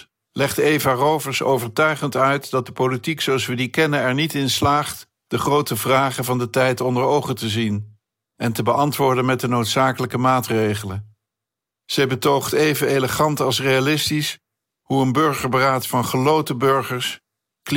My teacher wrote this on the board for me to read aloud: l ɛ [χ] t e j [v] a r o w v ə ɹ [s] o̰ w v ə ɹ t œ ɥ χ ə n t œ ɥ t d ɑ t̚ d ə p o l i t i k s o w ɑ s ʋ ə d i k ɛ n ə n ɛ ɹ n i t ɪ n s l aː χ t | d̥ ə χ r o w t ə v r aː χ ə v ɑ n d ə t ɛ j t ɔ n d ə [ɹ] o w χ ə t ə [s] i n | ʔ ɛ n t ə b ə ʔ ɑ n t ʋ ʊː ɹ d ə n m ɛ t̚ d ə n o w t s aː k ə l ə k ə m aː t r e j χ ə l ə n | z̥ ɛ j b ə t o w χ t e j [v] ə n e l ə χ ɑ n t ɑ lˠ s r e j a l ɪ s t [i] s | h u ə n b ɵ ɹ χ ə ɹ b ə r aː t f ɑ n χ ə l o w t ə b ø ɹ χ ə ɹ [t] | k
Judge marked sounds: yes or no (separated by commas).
yes, yes, yes, yes, no, yes, yes, no